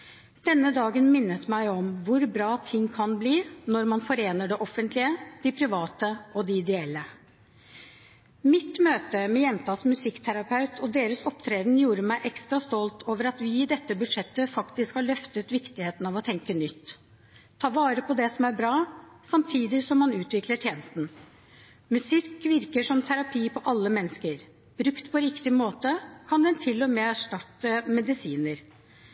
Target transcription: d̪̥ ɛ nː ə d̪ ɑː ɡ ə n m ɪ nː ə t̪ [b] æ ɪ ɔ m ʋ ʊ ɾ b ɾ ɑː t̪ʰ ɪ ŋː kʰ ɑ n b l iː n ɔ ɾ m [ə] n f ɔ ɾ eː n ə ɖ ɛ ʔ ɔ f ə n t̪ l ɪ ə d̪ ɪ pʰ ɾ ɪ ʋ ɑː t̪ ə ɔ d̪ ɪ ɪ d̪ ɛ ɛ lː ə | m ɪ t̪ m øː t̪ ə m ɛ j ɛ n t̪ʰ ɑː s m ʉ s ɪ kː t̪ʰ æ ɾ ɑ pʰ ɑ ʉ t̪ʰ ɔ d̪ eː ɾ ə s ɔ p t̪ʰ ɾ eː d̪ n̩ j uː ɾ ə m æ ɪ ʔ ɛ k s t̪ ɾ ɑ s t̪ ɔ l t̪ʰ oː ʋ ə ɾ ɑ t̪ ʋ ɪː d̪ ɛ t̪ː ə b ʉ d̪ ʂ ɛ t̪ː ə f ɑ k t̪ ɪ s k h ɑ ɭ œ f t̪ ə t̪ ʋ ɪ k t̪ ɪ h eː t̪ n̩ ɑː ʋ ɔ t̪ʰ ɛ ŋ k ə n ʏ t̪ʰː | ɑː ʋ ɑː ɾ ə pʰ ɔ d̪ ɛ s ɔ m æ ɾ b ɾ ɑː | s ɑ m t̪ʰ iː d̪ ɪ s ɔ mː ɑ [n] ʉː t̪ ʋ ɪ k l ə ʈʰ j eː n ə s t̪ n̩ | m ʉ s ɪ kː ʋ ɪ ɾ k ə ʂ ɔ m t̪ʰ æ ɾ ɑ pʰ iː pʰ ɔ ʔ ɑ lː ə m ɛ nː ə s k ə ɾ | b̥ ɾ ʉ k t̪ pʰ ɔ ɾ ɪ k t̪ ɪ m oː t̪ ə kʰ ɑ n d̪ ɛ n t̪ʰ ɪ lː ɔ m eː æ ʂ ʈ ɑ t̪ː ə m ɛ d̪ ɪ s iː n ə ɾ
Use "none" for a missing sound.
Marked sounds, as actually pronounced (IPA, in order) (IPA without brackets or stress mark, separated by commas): m, ɑ, n